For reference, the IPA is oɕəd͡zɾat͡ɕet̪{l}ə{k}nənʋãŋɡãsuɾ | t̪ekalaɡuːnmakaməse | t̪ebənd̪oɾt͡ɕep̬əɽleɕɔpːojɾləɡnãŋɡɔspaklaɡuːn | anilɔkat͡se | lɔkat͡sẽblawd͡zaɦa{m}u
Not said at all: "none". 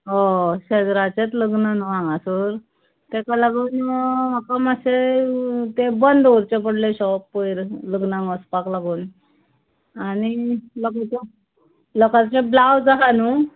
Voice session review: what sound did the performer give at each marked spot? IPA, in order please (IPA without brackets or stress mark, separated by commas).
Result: l, ɡ, n